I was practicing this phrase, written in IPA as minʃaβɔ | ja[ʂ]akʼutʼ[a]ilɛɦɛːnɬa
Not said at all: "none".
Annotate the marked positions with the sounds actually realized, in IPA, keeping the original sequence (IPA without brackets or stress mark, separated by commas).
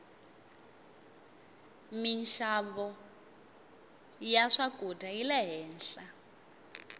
ʂ, a